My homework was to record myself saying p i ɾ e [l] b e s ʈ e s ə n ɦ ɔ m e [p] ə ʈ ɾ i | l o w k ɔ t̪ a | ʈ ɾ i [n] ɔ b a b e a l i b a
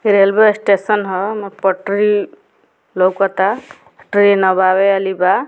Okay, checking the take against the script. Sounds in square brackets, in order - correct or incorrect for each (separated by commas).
correct, correct, correct